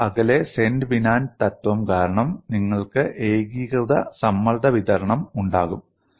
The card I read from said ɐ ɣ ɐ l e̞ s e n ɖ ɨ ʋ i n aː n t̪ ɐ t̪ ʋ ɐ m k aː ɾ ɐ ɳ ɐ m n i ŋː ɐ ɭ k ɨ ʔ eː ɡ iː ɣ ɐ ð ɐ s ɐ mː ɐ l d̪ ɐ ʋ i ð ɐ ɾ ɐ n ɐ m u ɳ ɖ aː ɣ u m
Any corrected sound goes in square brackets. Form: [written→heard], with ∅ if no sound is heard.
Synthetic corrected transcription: ɐ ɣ ɐ l e̞ s e n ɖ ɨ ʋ i n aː n t̪ ɐ t̪ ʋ ɐ m k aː ɾ ɐ ɳ ɐ m n i ŋː ɐ ɭ k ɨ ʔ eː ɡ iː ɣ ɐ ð ɐ s ɐ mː ɐ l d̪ ɐ ʋ i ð ɐ ɾ ɐ [n→ɳ] ɐ m u ɳ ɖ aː ɣ u m

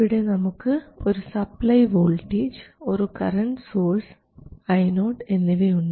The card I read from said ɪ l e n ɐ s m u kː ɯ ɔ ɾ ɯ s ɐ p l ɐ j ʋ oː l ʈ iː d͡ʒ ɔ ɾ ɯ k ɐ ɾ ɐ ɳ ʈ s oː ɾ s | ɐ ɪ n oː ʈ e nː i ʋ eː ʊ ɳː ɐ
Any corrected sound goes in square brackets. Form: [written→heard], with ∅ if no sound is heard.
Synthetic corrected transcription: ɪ [l→ɽ] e n ɐ [s→∅] m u kː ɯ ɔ ɾ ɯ s ɐ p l ɐ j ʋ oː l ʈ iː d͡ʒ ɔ ɾ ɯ k ɐ ɾ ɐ ɳ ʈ s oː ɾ s | ɐ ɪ n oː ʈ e nː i ʋ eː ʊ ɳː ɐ

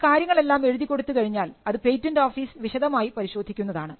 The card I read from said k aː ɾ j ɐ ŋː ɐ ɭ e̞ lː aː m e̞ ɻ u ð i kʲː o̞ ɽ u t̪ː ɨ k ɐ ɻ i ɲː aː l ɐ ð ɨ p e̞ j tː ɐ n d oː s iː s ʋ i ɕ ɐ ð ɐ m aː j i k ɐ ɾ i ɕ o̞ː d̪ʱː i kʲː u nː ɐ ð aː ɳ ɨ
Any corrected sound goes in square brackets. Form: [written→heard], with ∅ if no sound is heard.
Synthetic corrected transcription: k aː ɾ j ɐ ŋː ɐ ɭ e̞ lː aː m e̞ ɻ u ð i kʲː o̞ ɽ u t̪ː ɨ k ɐ ɻ i ɲː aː l ɐ ð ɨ p e̞ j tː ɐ n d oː [s→f] iː s ʋ i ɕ ɐ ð ɐ m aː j i [k→p] ɐ ɾ i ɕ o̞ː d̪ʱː i kʲː u nː ɐ ð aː ɳ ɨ

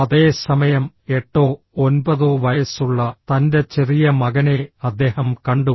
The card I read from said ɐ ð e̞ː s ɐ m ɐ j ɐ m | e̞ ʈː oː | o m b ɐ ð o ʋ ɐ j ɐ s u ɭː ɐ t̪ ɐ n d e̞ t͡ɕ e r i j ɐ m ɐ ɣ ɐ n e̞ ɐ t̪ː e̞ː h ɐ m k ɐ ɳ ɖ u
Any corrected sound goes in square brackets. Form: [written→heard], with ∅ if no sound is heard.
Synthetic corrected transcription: ɐ ð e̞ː s ɐ m ɐ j ɐ m | e̞ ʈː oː | o [m→n] b ɐ ð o ʋ ɐ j ɐ s u ɭː ɐ t̪ ɐ n d e̞ t͡ɕ e r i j ɐ m ɐ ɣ ɐ n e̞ ɐ [t̪ː→d̪ː] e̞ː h ɐ m k ɐ ɳ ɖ u

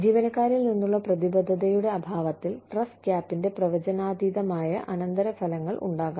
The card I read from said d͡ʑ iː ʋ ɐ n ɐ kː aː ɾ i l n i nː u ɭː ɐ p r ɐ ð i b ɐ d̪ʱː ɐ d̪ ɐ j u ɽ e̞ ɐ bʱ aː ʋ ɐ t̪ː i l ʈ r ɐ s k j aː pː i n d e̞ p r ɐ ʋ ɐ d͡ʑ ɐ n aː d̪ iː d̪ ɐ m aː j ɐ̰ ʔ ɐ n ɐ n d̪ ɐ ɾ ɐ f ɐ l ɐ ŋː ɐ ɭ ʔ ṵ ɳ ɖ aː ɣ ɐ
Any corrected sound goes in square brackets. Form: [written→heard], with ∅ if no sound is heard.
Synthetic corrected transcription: d͡ʑ iː ʋ ɐ n ɐ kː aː ɾ i l n i nː u ɭː ɐ p r ɐ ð i b ɐ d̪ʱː ɐ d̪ ɐ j u ɽ e̞ ɐ bʱ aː ʋ ɐ t̪ː i l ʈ r ɐ s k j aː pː i n d e̞ p r ɐ ʋ ɐ d͡ʑ ɐ n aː d̪ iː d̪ ɐ m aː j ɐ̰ ʔ ɐ n ɐ n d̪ ɐ ɾ ɐ f ɐ l ɐ ŋː ɐ ɭ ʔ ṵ ɳ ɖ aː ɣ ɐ

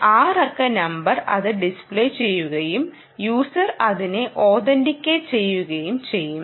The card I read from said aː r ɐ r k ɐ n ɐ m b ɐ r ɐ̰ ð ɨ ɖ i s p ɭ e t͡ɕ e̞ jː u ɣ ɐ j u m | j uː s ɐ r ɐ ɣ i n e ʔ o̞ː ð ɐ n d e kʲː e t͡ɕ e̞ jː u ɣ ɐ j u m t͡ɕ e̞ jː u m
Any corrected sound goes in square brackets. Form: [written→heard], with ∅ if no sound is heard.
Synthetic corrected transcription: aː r ɐ r k ɐ n ɐ m b ɐ r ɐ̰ ð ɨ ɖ i s p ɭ e t͡ɕ e̞ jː u ɣ ɐ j u m | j uː s ɐ r ɐ [ɣ→ð] i n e ʔ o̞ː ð ɐ n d [e→i] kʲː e t͡ɕ e̞ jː u ɣ ɐ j u m t͡ɕ e̞ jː u m

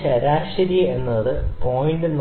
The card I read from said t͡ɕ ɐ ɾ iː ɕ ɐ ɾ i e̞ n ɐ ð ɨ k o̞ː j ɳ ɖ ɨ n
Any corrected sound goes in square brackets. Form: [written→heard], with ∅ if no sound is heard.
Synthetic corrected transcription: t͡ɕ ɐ ɾ [iː→aː] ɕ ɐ ɾ i e̞ [n→nː] ɐ ð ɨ [k→p] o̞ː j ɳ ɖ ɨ n

